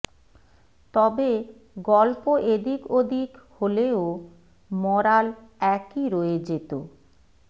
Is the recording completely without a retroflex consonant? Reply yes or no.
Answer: yes